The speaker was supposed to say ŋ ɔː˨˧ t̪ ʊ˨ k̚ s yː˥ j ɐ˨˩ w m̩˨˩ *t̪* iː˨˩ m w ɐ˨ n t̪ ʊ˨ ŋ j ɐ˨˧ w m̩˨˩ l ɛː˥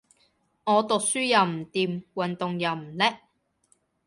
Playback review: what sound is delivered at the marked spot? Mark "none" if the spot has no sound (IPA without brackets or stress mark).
t̪